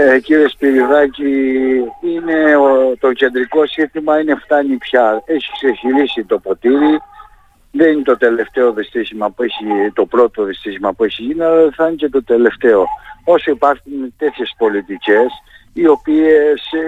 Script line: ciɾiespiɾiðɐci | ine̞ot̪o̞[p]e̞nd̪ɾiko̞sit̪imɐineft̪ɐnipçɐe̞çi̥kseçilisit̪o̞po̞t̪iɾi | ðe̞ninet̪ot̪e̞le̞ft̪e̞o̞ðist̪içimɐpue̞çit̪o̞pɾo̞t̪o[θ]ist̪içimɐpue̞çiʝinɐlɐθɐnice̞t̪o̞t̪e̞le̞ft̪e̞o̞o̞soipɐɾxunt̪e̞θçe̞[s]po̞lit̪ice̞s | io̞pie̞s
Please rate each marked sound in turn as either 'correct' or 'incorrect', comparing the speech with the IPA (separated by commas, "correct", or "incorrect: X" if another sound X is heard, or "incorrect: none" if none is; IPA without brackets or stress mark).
incorrect: c, incorrect: ð, correct